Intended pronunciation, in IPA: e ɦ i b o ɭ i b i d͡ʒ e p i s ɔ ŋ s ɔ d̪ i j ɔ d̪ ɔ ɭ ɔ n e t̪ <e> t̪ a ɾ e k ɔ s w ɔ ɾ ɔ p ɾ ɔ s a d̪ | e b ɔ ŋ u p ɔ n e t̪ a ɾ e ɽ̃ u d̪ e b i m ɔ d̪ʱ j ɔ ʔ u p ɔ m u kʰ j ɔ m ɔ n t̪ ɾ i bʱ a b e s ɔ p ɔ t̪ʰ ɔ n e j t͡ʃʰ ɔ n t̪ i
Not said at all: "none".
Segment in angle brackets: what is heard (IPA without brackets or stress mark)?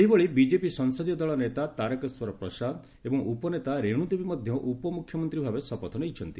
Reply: a